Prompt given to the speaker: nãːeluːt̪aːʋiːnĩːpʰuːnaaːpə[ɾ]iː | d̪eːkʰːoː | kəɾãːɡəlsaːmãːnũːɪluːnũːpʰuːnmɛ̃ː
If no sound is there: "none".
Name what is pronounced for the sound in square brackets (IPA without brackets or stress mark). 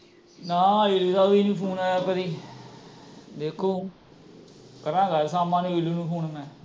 ɾ